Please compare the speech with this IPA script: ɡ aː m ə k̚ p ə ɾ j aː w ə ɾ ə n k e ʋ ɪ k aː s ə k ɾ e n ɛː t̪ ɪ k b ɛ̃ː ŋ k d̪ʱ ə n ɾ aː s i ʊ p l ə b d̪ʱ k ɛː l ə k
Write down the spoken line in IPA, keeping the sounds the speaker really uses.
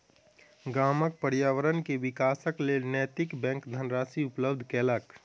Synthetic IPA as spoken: ɡ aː m ə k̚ p ə ɾ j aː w ə ɾ ə n k e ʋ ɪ k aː s ə k l e n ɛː t̪ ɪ k b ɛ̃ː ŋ k d̪ʱ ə n ɾ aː s i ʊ p l ə b d̪ʱ k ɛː l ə k